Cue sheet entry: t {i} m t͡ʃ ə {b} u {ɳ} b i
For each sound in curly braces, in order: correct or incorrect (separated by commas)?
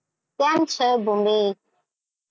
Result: incorrect, correct, incorrect